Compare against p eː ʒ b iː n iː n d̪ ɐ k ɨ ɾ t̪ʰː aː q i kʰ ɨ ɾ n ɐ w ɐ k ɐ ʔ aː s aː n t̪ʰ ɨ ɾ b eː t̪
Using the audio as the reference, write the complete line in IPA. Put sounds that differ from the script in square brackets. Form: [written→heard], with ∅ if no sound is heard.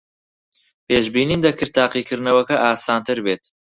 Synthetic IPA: p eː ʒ b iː n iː n d̪ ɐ k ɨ ɾ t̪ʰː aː q i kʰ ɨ ɾ n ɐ w ɐ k ɐ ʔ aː s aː n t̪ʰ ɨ ɾ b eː t̪

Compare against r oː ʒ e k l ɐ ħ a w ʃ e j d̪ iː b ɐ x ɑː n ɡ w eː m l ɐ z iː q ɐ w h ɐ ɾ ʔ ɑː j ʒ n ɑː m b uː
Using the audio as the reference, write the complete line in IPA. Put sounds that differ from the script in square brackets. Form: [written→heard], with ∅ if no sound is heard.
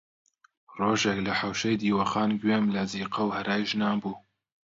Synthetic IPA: r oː ʒ e k l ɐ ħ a w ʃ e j d̪ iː [b→w] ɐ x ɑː n ɡ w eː m l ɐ z iː q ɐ w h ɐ ɾ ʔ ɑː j ʒ n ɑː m b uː

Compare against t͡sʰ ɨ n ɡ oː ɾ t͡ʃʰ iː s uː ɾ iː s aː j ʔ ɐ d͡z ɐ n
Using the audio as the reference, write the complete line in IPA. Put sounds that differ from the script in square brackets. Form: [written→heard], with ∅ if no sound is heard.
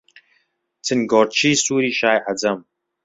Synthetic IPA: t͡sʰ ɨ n ɡ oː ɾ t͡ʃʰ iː s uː ɾ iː [s→ʃ] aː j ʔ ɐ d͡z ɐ [n→m]

